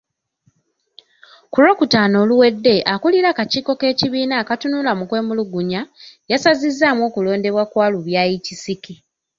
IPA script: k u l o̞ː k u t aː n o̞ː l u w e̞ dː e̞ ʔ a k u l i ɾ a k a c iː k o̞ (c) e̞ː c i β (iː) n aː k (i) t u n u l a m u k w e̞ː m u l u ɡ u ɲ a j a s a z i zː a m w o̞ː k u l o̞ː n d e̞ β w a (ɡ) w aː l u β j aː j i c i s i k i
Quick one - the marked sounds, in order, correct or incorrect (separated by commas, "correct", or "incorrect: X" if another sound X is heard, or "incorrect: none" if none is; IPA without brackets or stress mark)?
incorrect: k, correct, incorrect: a, incorrect: k